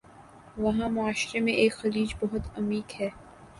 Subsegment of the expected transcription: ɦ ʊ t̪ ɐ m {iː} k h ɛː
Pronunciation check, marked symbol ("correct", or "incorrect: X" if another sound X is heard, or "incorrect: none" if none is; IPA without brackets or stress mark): correct